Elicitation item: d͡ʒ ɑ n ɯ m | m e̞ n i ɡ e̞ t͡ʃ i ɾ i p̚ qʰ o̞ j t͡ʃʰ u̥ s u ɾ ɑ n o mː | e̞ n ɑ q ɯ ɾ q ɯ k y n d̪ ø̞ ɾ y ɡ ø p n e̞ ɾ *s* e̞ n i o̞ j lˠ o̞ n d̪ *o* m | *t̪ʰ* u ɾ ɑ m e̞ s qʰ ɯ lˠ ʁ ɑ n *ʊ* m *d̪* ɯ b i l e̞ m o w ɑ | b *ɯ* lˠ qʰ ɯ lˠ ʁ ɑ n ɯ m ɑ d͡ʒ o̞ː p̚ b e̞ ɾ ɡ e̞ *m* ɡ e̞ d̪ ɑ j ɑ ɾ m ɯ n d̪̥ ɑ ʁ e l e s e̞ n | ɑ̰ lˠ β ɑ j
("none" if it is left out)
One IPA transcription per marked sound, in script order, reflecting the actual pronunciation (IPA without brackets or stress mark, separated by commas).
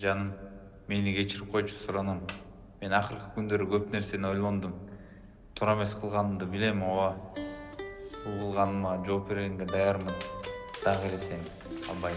s, u, t̪ʰ, ɯ, d̪, u, ŋ